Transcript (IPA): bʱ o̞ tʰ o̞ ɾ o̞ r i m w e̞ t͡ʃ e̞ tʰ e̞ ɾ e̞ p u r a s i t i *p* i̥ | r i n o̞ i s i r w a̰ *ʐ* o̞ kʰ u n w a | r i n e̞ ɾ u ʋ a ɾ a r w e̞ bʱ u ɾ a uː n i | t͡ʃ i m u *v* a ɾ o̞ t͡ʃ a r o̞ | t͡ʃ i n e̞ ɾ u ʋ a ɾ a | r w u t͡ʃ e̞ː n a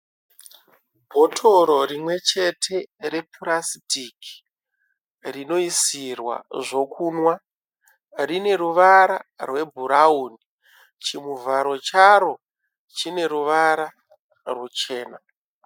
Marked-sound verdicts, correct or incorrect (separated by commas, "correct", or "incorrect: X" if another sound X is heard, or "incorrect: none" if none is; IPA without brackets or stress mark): incorrect: k, correct, correct